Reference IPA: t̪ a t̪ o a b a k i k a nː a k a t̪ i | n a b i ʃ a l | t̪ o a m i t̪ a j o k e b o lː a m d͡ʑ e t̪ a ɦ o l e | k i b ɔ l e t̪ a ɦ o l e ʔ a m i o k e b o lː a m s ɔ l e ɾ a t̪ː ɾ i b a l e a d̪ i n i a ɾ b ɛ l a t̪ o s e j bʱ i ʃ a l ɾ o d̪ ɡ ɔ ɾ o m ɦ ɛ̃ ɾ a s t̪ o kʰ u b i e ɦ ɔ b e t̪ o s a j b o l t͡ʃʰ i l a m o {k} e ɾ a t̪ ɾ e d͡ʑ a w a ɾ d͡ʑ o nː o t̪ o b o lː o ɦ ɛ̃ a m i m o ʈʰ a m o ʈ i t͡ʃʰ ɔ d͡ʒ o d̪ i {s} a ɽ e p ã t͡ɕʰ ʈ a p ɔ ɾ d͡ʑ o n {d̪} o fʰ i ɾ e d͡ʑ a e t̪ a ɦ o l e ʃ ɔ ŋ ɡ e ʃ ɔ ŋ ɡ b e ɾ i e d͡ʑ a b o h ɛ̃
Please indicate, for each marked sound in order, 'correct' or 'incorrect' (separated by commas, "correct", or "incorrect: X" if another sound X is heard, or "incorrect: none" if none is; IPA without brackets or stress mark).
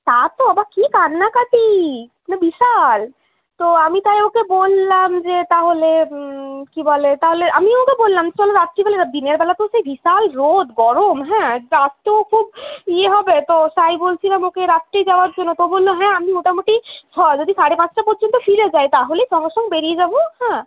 correct, correct, incorrect: t̪